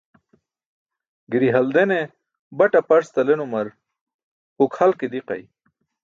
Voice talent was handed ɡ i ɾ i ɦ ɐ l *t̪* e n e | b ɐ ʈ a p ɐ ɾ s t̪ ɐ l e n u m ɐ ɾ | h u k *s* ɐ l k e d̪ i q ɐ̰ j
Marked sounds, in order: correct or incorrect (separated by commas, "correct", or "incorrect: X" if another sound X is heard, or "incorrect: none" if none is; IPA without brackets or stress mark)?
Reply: incorrect: d̪, incorrect: h